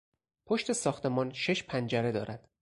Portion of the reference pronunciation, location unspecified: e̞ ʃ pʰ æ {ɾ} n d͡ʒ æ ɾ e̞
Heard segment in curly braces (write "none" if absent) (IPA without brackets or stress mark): none